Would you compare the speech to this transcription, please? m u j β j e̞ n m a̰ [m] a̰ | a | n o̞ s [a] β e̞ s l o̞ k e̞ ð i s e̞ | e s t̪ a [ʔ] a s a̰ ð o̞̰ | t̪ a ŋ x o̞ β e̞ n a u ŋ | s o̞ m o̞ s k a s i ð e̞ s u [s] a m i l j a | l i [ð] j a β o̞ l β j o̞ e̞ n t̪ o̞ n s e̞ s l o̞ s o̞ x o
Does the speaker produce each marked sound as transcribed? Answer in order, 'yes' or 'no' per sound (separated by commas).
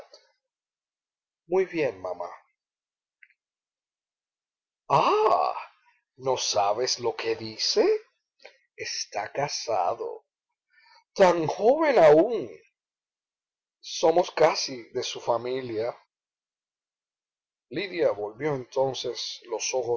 yes, yes, no, no, yes